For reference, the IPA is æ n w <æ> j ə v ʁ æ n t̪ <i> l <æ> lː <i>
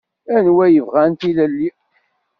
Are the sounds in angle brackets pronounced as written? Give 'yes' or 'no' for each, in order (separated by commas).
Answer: yes, yes, yes, yes